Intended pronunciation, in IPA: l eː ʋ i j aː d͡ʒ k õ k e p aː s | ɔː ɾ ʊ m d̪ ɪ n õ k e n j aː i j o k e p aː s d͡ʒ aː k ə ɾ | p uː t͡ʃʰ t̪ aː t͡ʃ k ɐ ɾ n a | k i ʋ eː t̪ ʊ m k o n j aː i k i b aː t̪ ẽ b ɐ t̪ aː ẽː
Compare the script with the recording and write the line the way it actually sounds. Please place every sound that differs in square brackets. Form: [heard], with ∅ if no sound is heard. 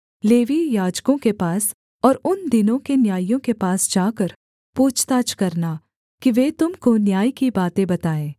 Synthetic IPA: l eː ʋ i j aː d͡ʒ k õ k e p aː s | ɔː ɾ ʊ [n] d̪ ɪ n õ k e n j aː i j [õ] k e p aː s d͡ʒ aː k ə ɾ | p uː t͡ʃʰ t̪ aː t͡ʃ k ɐ ɾ n a | k i ʋ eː t̪ ʊ m k o n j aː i k i b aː t̪ ẽ b ɐ t̪ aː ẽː